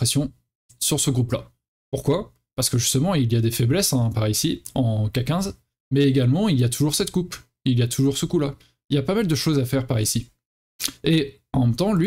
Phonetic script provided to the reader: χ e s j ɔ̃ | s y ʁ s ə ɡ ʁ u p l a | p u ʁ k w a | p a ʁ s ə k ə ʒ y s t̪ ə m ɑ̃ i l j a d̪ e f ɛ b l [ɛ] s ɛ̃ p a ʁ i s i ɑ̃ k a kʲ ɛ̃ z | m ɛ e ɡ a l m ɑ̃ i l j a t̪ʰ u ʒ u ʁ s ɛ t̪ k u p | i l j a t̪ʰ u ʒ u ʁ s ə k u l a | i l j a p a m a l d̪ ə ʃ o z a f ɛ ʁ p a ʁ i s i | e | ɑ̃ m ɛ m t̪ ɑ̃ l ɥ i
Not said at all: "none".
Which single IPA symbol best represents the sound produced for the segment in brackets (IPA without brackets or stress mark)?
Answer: ɛ